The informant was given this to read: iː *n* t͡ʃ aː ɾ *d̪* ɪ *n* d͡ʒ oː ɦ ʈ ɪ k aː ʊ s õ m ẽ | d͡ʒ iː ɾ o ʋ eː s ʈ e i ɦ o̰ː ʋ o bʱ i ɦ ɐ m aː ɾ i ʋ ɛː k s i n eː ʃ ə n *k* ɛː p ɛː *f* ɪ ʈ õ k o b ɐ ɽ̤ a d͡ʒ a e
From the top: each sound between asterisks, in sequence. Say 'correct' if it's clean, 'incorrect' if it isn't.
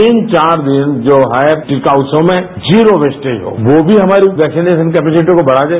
correct, correct, correct, correct, incorrect: s

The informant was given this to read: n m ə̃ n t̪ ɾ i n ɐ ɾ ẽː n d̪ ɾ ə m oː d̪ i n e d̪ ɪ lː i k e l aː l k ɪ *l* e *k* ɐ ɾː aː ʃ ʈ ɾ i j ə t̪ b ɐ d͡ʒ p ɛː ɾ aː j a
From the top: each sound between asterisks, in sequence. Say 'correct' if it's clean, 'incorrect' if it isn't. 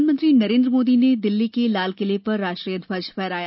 correct, incorrect: p

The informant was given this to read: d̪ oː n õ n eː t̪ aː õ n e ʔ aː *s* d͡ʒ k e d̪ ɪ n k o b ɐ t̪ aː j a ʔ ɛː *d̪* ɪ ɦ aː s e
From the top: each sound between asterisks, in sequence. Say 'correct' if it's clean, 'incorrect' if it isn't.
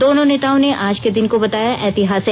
incorrect: none, incorrect: t̪

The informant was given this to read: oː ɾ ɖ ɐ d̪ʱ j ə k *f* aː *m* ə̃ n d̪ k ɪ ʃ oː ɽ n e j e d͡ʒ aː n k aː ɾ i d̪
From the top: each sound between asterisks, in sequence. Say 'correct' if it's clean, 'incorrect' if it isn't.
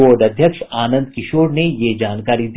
incorrect: ʃ, incorrect: n

